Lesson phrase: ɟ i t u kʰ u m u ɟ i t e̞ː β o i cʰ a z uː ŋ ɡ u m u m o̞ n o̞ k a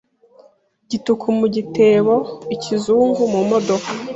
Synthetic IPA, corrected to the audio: ɟ i t u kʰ u m u ɟ i t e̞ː β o i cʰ i z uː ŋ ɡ u m u m o̞ d o̞ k a